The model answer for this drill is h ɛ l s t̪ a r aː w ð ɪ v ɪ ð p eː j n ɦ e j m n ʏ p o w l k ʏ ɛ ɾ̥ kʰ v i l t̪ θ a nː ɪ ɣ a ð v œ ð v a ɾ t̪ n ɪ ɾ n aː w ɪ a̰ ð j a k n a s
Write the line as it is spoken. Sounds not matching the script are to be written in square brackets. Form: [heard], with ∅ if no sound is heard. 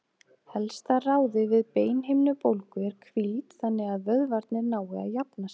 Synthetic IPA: h ɛ l s t̪ a r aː w ð ɪ v ɪ ð p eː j n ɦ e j m n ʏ p o w l k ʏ ɛ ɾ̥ kʰ v i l t̪ θ a nː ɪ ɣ a ð v œ ð v a ɾ t̪ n ɪ ɾ n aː w ɪ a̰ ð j a [p] n a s